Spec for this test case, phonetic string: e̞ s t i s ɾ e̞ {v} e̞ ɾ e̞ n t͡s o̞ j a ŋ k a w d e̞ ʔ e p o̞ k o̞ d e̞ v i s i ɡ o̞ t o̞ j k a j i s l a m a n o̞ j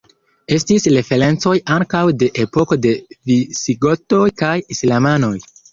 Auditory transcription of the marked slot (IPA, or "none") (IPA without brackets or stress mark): f